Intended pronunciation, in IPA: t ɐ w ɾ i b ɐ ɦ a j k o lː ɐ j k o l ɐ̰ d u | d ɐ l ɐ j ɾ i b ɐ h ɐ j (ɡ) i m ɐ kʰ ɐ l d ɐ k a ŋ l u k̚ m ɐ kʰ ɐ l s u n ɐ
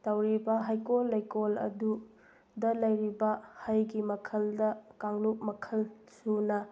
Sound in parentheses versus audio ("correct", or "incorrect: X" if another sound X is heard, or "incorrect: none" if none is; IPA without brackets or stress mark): correct